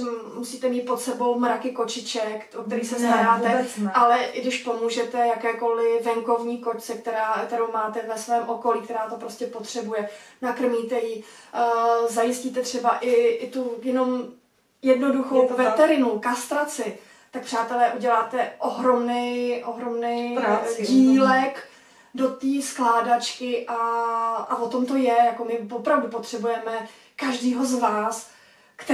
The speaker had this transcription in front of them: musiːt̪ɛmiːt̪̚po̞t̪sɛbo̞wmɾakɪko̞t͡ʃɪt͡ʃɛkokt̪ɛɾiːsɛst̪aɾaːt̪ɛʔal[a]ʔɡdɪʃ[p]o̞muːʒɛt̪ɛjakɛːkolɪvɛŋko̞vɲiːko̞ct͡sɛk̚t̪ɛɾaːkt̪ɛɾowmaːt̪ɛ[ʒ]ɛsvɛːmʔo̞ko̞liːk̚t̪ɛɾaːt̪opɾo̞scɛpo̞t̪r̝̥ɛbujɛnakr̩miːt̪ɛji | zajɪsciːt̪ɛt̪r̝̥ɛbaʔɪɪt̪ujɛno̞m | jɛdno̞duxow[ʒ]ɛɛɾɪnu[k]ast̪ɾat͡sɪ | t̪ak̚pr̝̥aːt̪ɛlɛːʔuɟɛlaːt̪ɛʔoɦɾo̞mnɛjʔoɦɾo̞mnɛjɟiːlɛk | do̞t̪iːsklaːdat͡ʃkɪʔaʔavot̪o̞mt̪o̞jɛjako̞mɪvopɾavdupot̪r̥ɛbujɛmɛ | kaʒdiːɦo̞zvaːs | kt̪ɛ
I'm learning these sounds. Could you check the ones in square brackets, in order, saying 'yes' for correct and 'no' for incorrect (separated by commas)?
no, yes, no, no, yes